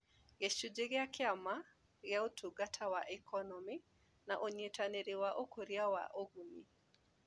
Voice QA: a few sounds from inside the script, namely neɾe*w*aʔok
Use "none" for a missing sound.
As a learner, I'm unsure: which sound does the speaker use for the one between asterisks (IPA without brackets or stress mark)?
w